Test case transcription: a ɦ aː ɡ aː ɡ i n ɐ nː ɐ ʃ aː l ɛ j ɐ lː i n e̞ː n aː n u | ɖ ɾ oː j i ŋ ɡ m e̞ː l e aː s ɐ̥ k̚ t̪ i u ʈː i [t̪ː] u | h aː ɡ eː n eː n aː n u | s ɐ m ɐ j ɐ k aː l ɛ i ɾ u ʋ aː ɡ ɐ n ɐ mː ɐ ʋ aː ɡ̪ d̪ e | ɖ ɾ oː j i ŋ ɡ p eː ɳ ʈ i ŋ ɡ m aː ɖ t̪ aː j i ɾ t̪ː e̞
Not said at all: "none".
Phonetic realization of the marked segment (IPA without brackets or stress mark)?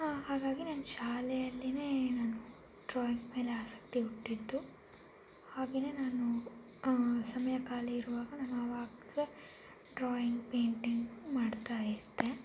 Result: d̪ː